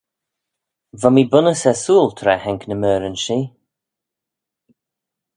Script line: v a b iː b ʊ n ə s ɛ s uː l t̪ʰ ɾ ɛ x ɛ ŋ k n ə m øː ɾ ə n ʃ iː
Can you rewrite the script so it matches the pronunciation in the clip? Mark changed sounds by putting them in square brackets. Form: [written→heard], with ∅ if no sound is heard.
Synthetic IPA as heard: v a [b→m] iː b ʊ n ə s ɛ s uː l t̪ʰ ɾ ɛ [x→h] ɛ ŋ k n ə m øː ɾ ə n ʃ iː